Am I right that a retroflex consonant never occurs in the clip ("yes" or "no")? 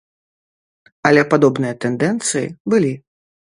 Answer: yes